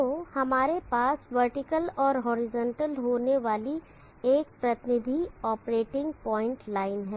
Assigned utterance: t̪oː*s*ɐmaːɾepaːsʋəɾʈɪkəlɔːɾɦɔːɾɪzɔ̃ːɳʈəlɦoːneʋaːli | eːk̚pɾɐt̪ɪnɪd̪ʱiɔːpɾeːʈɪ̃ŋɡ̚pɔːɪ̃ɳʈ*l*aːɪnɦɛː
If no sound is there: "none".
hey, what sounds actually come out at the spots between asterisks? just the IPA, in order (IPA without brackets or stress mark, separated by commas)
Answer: h, l